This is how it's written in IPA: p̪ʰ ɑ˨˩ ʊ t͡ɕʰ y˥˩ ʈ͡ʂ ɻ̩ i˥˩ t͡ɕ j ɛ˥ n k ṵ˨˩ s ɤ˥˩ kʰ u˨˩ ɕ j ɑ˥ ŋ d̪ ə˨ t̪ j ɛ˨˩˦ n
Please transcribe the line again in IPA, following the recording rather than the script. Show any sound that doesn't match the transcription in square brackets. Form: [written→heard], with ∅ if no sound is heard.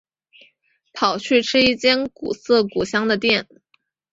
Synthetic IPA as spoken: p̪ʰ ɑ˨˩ ʊ t͡ɕʰ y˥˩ [ʈ͡ʂ→ʈ͡ʂʰ] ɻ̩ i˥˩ t͡ɕ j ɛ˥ n k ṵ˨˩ s ɤ˥˩ [kʰ→k] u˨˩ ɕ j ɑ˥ ŋ d̪ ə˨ t̪ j [ɛ˨˩˦→ɛ˥˩] n